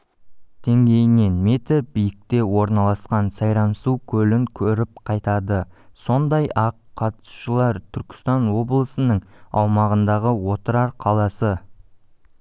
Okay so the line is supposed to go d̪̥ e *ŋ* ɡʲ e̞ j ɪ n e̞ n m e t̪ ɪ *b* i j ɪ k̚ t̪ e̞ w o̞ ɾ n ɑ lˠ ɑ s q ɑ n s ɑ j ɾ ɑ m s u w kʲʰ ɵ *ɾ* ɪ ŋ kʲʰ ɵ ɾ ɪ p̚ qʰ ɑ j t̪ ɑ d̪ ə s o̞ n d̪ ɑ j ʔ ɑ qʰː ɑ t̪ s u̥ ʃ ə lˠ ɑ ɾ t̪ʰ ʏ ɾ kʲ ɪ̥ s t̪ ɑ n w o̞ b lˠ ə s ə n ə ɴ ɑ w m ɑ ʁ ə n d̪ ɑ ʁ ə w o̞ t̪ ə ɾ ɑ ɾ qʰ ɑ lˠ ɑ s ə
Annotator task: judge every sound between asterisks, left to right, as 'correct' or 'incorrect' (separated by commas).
correct, correct, incorrect